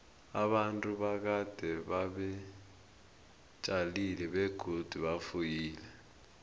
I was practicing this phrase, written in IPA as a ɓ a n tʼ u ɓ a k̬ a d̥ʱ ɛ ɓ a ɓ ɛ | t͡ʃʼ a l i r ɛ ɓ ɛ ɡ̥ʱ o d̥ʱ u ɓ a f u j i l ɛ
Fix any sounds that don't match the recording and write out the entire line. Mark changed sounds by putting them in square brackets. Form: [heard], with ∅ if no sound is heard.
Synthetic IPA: a ɓ a n tʼ u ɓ a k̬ a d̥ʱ ɛ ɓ a ɓ ɛ | t͡ʃʼ a l i [l] ɛ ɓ ɛ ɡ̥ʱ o d̥ʱ u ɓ a f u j [iː] l ɛ